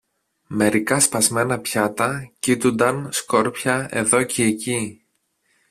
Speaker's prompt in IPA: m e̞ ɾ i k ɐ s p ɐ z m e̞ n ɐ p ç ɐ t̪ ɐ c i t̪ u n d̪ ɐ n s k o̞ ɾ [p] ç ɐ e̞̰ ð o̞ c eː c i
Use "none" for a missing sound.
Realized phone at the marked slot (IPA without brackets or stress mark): p